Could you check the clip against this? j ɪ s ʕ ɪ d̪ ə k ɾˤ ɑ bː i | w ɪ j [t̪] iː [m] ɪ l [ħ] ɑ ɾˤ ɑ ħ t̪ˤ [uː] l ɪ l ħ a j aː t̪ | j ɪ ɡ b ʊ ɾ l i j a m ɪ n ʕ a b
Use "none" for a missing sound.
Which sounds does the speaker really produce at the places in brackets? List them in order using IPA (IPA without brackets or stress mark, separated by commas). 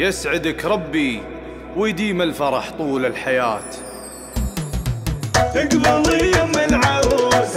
d̪, m, f, uː